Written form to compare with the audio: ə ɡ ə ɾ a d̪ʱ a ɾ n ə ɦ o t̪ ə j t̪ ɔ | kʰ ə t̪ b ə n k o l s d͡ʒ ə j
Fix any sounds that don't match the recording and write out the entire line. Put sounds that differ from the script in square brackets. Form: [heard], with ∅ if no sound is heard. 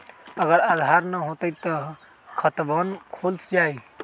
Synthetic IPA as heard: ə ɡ ə ɾ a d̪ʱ a ɾ n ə ɦ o t̪ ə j t̪ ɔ | kʰ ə t̪ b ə n [kʰ] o l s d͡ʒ [a] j